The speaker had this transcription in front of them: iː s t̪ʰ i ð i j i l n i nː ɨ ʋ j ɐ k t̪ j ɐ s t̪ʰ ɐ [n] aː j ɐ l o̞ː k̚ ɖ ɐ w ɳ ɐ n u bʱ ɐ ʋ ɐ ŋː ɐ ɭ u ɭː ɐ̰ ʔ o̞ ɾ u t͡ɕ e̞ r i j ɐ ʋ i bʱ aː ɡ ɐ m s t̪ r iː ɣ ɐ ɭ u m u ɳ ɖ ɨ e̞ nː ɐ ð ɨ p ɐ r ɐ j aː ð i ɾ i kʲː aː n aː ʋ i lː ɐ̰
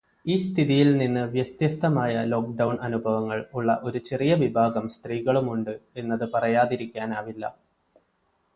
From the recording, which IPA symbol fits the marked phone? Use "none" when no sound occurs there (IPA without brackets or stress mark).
m